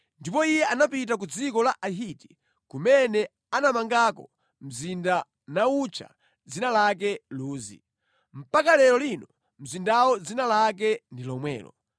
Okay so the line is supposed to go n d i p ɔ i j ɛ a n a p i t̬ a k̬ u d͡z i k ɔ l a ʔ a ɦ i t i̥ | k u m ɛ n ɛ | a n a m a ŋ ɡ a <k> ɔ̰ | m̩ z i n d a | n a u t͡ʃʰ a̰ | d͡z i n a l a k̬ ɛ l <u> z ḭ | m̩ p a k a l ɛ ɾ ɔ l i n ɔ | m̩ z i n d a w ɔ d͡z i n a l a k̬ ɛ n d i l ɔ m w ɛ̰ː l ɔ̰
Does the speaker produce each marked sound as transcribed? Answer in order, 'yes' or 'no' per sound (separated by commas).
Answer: yes, no